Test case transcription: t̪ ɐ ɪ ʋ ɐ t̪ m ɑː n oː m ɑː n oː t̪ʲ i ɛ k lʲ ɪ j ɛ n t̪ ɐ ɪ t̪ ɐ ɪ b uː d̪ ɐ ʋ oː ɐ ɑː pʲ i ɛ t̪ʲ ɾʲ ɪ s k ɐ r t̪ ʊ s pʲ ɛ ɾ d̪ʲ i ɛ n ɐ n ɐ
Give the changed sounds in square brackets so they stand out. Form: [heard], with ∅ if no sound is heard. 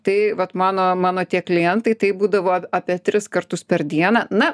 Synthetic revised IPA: t̪ ɐ ɪ ʋ ɐ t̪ m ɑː n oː m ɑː n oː t̪ʲ i ɛ k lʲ ɪ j ɛ n t̪ ɐ ɪ t̪ ɐ ɪ b uː d̪ ɐ ʋ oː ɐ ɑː pʲ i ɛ t̪ʲ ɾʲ ɪ s k ɐ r t̪ ʊ s pʲ ɛ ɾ d̪ʲ i ɛ n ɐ n ɐ